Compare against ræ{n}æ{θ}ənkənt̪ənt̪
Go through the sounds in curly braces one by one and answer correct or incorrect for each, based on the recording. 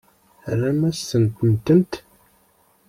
incorrect, incorrect

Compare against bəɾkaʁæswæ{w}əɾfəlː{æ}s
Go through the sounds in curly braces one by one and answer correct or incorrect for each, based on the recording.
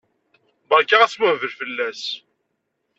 incorrect, correct

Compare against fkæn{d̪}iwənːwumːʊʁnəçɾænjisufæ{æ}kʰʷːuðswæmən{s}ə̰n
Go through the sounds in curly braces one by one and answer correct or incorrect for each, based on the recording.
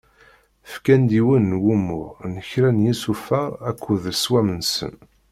correct, correct, correct

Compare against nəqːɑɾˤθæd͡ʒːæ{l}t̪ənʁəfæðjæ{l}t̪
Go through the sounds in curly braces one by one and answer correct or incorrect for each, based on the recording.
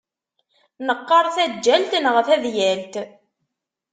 correct, correct

